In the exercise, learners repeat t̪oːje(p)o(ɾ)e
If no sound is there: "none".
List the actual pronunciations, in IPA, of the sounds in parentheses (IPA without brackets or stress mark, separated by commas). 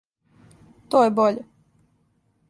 b, ʎ